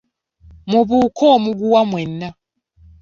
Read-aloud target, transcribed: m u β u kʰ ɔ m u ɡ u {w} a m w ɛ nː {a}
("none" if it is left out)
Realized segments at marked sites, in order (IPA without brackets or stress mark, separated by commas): w, a